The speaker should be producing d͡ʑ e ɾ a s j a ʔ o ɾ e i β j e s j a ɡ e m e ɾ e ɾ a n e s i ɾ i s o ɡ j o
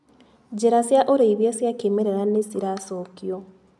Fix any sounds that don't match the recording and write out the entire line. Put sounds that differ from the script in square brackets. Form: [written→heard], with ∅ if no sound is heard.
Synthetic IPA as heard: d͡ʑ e ɾ a s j a ʔ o ɾ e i β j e s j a [ɡ→k] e m e ɾ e ɾ a n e s i ɾ [i→a] s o [ɡ→k] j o